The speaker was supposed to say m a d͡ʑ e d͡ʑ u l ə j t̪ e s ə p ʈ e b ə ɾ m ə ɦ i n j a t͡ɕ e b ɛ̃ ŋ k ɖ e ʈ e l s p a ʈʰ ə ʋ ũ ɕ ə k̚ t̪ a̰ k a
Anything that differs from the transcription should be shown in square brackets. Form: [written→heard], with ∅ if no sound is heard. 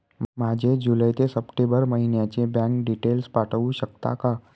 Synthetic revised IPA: m a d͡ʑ e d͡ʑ u l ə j t̪ e s ə p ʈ e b ə ɾ m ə ɦ i n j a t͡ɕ e b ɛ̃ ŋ k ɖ [e→i] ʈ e l s p a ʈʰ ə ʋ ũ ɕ ə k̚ t̪ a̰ k a